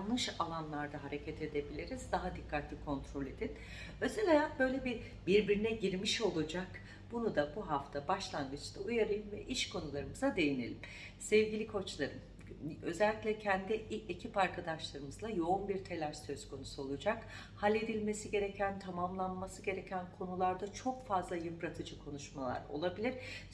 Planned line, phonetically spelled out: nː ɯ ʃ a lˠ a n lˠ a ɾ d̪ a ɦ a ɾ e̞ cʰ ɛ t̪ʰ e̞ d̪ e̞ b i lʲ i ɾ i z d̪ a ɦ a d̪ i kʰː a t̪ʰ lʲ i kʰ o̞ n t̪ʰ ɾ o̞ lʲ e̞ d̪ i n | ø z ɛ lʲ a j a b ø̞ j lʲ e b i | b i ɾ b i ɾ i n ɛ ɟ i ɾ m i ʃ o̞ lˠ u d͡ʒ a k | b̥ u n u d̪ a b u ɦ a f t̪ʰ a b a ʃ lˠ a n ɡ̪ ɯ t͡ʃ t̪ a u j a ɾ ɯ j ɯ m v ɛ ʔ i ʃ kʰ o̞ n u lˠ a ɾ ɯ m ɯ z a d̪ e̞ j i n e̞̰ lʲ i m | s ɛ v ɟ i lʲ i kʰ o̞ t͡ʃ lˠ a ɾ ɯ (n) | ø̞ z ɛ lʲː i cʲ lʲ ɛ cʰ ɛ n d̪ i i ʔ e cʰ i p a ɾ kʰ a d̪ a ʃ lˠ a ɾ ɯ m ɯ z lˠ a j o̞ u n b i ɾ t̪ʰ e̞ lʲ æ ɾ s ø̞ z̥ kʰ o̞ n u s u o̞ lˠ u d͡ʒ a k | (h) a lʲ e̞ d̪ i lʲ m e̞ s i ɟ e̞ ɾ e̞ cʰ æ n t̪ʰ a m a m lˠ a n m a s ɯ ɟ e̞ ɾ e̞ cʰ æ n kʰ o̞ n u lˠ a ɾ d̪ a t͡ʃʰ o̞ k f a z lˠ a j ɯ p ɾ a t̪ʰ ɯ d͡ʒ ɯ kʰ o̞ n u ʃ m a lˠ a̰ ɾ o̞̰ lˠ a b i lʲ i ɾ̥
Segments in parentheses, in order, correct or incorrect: incorrect: m, correct

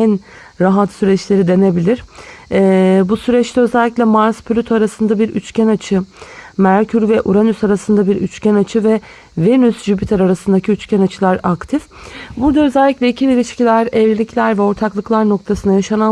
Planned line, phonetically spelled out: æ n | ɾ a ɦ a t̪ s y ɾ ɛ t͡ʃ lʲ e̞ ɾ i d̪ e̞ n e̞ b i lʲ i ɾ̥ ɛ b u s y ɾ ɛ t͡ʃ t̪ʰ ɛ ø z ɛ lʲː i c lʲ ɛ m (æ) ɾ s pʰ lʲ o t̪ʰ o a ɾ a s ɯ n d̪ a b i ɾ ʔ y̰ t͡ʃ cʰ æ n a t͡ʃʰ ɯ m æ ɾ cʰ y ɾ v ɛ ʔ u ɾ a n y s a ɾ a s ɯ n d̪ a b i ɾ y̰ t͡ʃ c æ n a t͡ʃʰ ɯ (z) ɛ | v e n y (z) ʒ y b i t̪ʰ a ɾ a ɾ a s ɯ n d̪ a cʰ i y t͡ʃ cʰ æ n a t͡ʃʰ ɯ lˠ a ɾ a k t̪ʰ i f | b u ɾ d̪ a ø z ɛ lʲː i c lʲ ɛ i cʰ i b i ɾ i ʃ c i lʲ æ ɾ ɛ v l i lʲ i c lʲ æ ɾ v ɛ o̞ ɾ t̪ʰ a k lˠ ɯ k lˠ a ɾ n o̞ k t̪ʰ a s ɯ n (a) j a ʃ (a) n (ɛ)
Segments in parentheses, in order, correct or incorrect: incorrect: a, incorrect: v, incorrect: s, correct, correct, incorrect: a

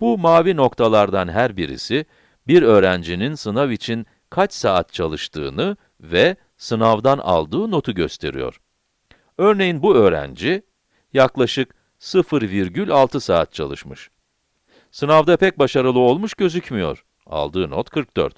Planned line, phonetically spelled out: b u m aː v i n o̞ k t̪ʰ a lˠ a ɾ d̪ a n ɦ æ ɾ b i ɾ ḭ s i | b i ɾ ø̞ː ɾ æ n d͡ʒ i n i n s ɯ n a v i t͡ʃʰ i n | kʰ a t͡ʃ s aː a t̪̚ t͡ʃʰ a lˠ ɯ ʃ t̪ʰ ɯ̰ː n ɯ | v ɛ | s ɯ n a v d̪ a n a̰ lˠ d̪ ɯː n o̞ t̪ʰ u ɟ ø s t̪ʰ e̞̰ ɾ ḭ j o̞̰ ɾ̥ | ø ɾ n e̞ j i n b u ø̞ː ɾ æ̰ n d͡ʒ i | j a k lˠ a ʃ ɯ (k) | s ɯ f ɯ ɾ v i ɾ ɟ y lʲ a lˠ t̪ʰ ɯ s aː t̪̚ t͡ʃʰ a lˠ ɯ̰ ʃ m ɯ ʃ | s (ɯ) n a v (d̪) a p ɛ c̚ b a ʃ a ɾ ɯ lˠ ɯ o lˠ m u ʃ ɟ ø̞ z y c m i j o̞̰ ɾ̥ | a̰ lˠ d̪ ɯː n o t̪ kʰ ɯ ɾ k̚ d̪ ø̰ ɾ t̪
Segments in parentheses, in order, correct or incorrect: correct, correct, correct

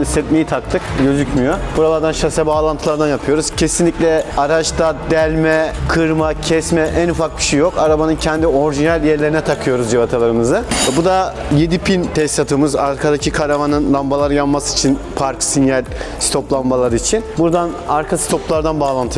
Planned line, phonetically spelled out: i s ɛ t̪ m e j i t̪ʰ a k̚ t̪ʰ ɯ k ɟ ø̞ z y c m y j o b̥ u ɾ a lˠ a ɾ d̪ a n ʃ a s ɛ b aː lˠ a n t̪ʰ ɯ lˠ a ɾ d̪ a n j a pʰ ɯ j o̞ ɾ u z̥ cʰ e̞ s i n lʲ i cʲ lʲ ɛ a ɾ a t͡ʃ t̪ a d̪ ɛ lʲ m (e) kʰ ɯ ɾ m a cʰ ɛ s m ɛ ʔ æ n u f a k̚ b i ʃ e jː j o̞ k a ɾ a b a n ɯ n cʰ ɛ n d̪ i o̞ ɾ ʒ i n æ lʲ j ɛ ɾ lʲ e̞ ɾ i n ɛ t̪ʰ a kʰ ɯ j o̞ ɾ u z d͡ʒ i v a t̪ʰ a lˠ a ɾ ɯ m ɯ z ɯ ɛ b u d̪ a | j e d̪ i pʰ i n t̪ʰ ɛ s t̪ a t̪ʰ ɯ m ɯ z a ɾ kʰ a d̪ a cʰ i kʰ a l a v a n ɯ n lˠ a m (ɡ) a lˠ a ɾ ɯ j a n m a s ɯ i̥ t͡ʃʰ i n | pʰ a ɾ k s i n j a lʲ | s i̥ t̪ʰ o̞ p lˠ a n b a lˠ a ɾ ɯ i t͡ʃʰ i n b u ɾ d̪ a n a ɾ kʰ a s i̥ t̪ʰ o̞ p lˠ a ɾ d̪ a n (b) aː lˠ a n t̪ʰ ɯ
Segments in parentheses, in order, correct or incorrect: incorrect: ɛ, incorrect: b, correct

